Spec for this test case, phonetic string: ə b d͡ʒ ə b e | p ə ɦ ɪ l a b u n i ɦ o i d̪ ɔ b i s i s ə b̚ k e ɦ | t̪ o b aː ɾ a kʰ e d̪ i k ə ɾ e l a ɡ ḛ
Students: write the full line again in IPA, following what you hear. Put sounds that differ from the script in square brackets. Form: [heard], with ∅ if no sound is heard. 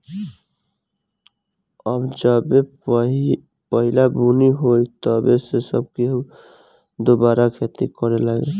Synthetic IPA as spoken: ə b d͡ʒ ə b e | p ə ɦ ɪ l a b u n i ɦ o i [t̪] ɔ b [e] s [e] s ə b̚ k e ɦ | [d̪] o b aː ɾ a kʰ e [t̪] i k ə ɾ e l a ɡ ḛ